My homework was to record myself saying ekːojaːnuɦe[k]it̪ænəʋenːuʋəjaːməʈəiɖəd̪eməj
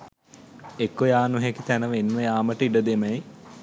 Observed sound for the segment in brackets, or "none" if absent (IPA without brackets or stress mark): k